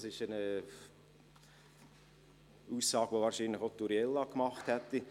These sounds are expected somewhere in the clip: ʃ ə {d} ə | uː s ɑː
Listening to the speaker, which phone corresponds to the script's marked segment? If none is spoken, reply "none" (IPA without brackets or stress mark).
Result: n